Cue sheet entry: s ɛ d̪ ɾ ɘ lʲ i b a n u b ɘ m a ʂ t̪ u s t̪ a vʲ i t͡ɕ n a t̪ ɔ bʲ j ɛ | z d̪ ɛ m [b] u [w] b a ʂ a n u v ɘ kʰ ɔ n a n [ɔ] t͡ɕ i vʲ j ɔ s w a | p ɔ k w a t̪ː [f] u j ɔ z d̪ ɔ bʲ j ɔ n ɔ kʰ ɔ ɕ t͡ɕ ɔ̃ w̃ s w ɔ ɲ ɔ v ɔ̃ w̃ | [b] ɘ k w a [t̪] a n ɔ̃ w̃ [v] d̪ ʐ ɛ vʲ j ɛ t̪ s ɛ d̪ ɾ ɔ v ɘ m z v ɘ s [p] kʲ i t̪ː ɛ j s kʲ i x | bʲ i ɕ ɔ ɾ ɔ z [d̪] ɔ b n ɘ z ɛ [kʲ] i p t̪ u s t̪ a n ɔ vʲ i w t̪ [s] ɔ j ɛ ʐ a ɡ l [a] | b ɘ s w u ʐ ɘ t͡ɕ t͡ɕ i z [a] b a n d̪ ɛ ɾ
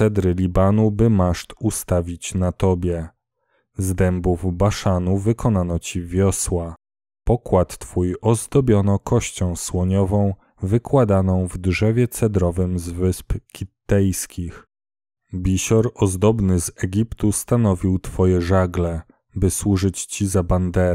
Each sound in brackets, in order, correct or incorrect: correct, incorrect: v, correct, correct, incorrect: v, incorrect: d̪, correct, correct, correct, incorrect: ɡʲ, incorrect: f, incorrect: ɛ, correct

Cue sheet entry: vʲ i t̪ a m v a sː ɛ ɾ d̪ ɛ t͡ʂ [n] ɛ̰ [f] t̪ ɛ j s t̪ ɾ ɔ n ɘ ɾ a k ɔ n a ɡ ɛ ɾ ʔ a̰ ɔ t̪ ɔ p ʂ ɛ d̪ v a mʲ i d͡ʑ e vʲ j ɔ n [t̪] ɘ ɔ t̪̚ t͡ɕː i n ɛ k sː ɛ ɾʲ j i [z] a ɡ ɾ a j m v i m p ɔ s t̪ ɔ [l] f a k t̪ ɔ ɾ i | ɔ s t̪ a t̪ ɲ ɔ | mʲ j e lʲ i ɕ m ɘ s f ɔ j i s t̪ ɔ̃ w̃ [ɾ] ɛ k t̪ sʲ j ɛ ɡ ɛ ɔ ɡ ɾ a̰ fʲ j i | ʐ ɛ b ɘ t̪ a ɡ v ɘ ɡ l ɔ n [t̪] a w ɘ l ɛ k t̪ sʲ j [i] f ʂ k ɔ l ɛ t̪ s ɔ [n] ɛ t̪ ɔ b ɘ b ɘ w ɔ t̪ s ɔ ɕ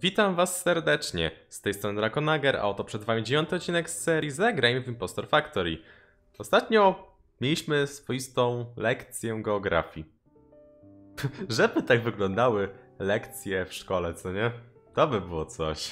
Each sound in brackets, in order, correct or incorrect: incorrect: ɲ, incorrect: s, correct, correct, incorrect: ɾ, incorrect: l, incorrect: d̪, incorrect: ɛ, incorrect: ɲ

